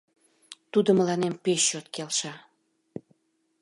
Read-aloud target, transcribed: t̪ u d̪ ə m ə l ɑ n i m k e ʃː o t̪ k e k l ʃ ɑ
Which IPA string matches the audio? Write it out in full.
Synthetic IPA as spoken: t̪ u d̪ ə m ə l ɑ n e m p e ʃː o t̪ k e l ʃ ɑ